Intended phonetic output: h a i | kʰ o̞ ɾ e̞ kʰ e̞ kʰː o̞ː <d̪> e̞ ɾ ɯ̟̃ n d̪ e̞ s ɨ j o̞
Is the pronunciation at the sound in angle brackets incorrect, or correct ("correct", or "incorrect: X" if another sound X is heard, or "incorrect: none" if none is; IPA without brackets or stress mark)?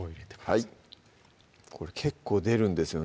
correct